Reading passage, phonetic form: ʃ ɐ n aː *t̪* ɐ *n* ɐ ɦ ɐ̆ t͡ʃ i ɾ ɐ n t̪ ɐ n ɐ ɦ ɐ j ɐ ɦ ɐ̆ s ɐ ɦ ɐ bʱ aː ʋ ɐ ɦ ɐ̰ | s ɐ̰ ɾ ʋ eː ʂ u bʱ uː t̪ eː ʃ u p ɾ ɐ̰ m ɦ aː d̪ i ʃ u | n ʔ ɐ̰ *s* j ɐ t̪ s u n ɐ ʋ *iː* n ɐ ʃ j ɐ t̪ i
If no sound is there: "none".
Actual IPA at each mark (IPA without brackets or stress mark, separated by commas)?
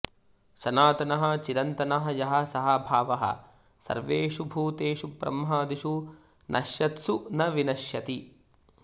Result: t̪, n, ʃ, i